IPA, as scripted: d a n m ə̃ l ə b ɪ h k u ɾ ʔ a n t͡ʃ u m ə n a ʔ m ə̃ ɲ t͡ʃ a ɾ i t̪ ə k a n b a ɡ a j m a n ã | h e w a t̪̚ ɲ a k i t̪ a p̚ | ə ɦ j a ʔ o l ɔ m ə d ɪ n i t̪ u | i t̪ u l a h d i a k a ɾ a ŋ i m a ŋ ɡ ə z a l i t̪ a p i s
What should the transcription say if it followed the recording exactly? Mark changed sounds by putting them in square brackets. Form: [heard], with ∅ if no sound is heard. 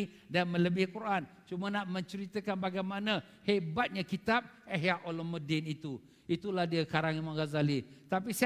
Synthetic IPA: d a n m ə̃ l ə b ɪ h k u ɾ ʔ a n t͡ʃ u m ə n a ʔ m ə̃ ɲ t͡ʃ [ə] ɾ i t̪ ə k a n b a ɡ a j m a n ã | h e [b] a t̪̚ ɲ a k i t̪ a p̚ | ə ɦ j a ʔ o l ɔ m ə d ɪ n i t̪ u | i t̪ u l a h d i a k a ɾ a ŋ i m a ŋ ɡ [a] z a l i t̪ a p i s